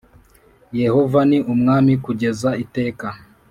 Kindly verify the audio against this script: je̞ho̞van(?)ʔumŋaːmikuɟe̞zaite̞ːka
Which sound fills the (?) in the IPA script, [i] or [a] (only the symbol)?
i